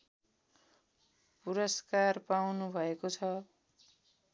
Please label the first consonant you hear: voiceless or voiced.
voiceless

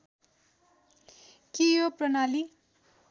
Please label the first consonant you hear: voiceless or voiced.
voiceless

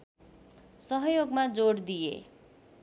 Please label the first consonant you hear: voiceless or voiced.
voiceless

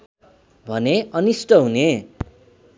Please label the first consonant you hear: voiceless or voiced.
voiced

